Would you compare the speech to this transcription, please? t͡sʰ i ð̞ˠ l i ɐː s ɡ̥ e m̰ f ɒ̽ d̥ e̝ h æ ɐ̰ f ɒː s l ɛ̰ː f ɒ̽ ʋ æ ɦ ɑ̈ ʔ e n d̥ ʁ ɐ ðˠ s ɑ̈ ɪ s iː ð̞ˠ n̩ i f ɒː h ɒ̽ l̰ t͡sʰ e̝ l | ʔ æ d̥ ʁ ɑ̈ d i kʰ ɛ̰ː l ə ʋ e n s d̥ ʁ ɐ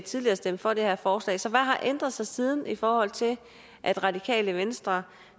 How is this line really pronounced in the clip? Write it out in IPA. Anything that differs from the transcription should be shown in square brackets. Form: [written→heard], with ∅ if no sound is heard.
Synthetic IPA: t͡sʰ i ð̞ˠ l i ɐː s [ɡ̥→d̥] e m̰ f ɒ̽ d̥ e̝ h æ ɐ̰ f ɒː s l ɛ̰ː [f→s] ɒ̽ ʋ æ ɦ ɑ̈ ʔ e n d̥ ʁ ɐ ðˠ s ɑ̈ ɪ s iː ð̞ˠ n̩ i f ɒː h ɒ̽ l̰ t͡sʰ e̝ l | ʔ æ d̥ ʁ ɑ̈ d i kʰ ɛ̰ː l ə ʋ e n s d̥ ʁ ɐ